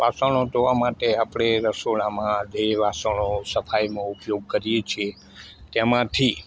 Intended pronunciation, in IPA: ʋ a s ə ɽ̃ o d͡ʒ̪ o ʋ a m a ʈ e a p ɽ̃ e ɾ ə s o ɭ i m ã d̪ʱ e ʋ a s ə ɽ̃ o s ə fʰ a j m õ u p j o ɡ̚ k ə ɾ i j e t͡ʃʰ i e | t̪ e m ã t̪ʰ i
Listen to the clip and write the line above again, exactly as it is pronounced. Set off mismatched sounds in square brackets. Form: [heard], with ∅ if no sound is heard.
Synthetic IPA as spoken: ʋ a s ə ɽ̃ o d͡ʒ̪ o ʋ a m a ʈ e a p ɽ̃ e ɾ ə s o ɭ [a] m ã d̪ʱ e ʋ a s ə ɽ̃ o s ə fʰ a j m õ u p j o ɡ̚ k ə ɾ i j e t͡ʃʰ i e | t̪ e m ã t̪ʰ i